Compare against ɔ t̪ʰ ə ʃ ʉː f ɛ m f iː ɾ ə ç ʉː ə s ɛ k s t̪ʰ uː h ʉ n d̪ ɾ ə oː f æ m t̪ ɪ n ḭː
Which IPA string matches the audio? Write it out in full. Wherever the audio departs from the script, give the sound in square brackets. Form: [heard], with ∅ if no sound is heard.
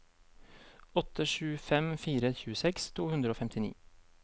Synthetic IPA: ɔ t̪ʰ ə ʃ ʉː f ɛ m f iː ɾ ə ç ʉː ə s ɛ k s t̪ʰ uː h ʉ n d̪ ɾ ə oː f [ɛ] m t̪ ɪ n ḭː